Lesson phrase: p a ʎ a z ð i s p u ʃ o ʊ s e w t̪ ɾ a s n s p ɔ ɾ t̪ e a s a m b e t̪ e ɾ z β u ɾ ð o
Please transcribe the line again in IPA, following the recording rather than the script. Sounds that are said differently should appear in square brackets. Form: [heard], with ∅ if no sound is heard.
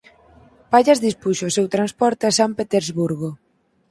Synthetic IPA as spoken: p a ʎ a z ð i s p u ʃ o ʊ s e w t̪ ɾ a [∅] n s p ɔ ɾ t̪ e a s a m [p] e t̪ e ɾ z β u ɾ [ɣ] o